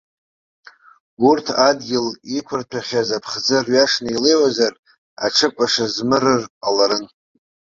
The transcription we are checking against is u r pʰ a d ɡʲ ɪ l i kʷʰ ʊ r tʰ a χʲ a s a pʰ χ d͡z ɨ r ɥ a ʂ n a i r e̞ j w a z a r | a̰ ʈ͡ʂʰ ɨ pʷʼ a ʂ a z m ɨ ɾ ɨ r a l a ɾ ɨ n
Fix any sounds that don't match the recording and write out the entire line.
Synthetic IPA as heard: u r tʰ a d ɡʲ ɪ l i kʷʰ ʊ r tʰ a χʲ a z a pʰ χ d͡z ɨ r ɥ a ʂ n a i l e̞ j w a z a r | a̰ ʈ͡ʂʰ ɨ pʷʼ a ʂ a z m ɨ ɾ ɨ r a l a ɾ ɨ n